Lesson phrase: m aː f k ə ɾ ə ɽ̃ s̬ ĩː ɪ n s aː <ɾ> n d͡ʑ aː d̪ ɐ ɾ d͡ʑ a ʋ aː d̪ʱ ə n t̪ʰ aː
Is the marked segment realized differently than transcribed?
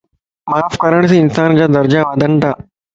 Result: yes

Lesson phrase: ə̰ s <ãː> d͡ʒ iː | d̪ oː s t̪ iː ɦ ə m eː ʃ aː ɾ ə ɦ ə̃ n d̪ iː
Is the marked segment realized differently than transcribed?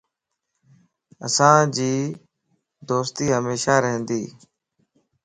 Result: no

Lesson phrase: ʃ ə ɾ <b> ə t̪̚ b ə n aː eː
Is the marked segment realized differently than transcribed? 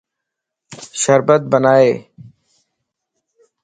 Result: no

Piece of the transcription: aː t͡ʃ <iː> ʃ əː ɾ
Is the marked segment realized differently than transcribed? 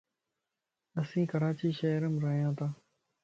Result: no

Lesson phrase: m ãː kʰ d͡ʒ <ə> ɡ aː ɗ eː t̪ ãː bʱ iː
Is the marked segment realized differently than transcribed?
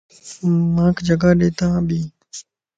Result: no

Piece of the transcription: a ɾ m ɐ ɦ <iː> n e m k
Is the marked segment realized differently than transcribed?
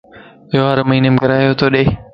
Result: no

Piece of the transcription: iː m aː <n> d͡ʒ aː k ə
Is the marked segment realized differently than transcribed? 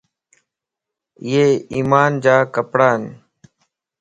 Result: no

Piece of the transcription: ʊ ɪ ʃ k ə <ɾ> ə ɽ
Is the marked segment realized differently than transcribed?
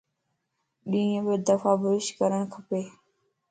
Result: no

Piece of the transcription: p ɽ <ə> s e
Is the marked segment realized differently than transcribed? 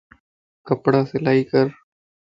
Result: yes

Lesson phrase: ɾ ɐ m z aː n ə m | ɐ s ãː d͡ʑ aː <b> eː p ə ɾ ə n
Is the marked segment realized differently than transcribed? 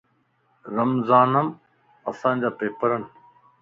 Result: yes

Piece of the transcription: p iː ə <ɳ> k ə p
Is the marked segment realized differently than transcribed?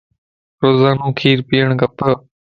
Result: no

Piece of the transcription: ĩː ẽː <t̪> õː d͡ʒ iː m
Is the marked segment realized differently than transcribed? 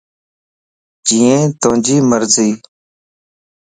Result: no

